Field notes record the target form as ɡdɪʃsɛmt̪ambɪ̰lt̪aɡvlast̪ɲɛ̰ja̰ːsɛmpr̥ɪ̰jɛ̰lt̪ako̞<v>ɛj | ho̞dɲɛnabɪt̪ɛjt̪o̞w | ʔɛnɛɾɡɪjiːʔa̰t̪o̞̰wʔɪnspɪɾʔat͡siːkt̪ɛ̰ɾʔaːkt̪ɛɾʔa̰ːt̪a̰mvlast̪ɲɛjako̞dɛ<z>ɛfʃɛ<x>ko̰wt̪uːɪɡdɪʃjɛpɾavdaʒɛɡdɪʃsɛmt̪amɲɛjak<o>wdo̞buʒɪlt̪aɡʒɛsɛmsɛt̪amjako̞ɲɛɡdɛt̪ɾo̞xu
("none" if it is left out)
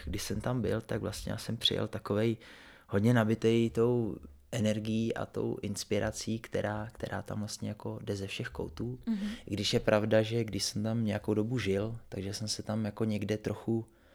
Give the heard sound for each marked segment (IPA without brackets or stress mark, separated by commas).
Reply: v, z, x, o